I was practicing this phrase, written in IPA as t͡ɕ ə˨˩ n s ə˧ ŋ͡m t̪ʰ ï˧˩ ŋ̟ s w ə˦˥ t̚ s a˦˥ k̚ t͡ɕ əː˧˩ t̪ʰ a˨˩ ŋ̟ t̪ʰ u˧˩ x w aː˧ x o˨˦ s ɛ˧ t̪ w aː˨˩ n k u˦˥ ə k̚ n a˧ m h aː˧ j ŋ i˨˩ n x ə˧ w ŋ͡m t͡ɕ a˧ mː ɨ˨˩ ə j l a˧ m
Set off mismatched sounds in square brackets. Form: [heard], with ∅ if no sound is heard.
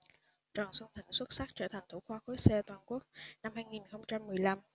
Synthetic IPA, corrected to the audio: t͡ɕ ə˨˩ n s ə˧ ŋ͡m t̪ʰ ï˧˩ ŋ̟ s w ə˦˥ t̚ s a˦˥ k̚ t͡ɕ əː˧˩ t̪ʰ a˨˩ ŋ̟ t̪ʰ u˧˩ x w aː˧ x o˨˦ s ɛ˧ t̪ w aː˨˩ n k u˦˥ ə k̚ n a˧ m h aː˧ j ŋ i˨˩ n x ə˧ w ŋ͡m t͡ɕ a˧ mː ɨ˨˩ ə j l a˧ m